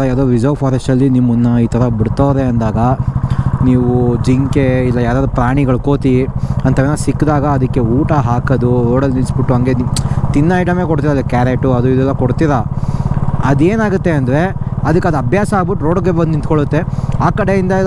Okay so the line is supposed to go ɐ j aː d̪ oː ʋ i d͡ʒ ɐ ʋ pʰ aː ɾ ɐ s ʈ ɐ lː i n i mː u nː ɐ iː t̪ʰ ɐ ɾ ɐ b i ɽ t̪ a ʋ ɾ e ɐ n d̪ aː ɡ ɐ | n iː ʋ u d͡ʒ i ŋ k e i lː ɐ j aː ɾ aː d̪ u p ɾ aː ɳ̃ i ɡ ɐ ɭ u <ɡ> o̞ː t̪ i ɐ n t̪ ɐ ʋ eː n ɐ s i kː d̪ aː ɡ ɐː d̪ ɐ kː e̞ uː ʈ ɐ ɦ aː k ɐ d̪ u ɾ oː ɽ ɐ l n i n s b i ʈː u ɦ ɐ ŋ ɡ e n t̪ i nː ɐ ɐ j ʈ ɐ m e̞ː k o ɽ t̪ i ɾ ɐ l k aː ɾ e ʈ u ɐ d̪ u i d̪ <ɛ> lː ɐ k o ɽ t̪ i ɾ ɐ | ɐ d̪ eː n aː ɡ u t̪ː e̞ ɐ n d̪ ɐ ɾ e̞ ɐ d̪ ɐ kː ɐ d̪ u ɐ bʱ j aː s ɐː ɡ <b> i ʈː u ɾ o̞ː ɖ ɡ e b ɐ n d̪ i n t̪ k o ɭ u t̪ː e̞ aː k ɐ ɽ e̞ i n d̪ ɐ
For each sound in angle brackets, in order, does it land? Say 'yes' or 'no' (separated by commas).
no, yes, yes